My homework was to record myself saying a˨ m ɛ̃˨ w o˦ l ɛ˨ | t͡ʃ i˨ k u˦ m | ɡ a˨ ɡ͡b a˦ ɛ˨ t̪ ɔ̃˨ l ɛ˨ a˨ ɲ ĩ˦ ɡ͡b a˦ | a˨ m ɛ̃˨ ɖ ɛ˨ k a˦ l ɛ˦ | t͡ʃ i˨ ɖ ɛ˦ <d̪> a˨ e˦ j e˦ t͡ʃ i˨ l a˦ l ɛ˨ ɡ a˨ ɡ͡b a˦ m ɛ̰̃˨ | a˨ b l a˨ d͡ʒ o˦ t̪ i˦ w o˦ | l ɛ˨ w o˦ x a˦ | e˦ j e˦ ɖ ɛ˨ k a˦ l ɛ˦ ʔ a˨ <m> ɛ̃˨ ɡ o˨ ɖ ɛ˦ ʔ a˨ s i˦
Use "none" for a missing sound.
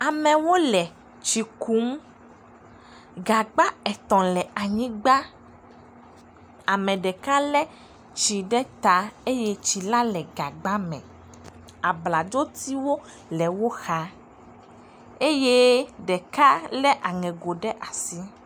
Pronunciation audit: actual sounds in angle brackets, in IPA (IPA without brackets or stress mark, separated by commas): t̪, ŋ